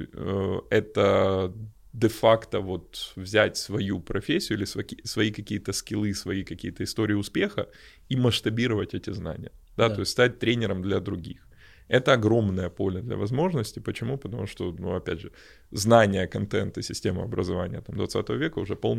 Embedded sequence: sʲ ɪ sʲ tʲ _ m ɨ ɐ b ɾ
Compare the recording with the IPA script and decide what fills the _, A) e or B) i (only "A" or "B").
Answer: A